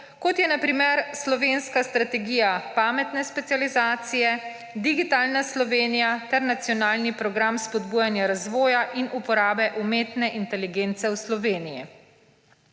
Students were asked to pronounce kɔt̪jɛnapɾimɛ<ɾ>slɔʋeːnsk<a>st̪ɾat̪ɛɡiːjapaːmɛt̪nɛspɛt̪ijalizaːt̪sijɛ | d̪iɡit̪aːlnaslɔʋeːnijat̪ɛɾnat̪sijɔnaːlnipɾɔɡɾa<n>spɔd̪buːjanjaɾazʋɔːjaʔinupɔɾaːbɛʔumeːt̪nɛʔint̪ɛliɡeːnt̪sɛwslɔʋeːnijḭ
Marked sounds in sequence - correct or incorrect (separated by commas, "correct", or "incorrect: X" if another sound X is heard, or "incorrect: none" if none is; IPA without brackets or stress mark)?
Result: correct, correct, incorrect: m